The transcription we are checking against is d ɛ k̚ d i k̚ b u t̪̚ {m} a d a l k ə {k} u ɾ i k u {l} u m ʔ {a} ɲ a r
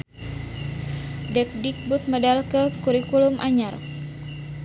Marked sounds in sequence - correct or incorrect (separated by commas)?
correct, correct, correct, correct